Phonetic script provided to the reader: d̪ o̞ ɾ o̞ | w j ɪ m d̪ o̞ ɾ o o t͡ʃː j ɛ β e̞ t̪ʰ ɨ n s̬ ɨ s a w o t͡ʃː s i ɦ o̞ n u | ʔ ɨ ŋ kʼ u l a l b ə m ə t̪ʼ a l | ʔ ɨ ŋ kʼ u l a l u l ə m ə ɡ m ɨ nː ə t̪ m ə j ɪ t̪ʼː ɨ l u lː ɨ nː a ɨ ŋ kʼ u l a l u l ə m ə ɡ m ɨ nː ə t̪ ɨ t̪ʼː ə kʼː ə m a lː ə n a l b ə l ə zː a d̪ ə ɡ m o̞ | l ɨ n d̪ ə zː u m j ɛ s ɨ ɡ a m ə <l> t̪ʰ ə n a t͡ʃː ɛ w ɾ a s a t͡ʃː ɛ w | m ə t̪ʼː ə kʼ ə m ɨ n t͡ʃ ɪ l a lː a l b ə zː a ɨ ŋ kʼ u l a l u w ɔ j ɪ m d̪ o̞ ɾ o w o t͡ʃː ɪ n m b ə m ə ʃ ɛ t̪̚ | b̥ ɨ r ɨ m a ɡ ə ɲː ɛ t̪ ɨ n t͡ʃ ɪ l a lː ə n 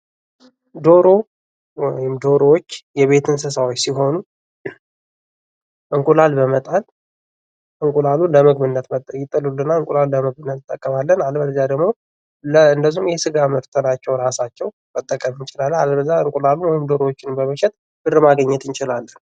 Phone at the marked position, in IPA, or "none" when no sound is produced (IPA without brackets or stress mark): ɾ